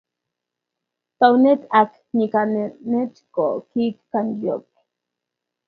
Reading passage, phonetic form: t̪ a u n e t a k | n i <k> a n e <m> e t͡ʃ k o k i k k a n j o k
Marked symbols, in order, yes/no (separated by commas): yes, no